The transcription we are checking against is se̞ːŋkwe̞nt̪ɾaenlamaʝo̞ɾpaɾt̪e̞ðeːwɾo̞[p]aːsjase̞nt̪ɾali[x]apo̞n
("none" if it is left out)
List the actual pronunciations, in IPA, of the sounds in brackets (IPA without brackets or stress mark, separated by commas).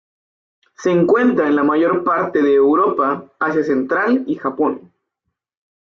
p, x